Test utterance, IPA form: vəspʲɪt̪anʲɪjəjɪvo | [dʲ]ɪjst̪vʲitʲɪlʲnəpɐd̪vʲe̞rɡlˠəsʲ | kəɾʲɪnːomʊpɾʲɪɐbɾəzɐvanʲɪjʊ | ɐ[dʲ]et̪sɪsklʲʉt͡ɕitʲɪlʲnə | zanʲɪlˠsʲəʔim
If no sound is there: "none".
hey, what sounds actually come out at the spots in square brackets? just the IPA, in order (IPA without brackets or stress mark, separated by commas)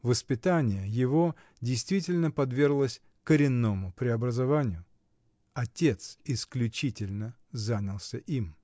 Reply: dʲ, tʲ